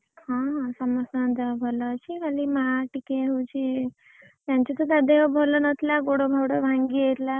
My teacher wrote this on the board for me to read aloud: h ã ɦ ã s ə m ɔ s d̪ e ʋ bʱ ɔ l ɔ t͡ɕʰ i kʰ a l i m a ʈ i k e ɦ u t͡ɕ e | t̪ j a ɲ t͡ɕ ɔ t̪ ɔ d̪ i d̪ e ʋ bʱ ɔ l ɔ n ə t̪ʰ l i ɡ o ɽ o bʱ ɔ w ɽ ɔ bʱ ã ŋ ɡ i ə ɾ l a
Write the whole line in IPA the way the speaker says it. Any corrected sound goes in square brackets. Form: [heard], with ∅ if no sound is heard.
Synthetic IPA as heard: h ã ɦ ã s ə m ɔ s d̪ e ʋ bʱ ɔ l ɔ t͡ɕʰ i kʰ a l i m a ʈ i k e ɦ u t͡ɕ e | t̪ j a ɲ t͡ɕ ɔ t̪ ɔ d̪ [a] d̪ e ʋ bʱ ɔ l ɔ n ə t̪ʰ l [a] ɡ o ɽ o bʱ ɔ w ɽ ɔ bʱ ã ŋ ɡ i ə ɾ l a